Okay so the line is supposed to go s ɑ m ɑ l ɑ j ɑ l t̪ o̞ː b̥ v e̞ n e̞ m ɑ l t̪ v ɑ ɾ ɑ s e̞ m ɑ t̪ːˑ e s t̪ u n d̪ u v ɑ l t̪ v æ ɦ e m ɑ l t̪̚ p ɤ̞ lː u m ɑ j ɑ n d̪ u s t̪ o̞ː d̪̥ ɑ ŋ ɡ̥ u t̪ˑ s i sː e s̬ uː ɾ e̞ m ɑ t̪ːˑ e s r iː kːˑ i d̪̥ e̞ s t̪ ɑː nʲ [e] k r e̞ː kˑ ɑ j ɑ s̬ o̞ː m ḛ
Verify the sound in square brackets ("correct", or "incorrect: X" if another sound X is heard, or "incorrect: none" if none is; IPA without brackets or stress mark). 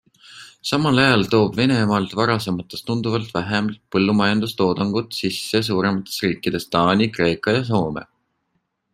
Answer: incorrect: i